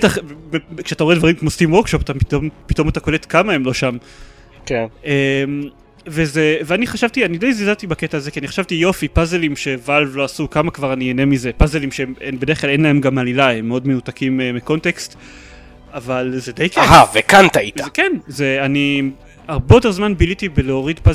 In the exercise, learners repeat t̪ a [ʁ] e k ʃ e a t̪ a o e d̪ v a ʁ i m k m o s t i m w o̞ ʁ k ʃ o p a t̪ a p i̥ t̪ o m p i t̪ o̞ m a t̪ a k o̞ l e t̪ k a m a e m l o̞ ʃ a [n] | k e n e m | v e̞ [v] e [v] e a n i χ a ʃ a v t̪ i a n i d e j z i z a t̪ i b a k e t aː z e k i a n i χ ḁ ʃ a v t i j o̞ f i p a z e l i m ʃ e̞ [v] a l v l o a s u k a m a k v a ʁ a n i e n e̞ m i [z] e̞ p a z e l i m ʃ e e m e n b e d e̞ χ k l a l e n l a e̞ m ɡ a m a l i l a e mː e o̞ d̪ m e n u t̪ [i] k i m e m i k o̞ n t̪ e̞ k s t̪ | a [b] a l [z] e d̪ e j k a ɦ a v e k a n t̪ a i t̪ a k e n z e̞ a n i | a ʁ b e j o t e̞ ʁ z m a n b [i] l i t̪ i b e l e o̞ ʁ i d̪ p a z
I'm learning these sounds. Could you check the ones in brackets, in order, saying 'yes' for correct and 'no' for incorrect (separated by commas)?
no, no, no, yes, yes, yes, no, no, yes, yes